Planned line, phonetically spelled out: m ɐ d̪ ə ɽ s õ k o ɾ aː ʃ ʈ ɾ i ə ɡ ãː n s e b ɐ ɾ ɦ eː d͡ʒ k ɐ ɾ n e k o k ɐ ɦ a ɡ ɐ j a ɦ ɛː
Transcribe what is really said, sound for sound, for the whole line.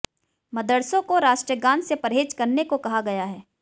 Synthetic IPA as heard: m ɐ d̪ ə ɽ s õ k o ɾ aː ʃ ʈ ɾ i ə ɡ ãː n s e p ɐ ɾ ɦ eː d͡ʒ k ɐ ɾ n e k o k ɐ ɦ a ɡ ɐ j a ɦ ɛː